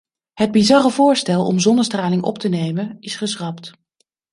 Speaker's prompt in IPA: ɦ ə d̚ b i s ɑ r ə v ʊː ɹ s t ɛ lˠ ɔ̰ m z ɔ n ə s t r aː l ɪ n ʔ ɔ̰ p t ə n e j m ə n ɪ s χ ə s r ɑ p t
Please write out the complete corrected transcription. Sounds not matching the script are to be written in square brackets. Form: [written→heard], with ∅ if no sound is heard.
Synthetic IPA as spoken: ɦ ə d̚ b i [s→z] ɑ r ə v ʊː ɹ s t ɛ lˠ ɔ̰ m z ɔ n ə s t r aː l ɪ [n→ŋ] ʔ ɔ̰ p t ə n e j m ə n ɪ s χ ə s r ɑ p t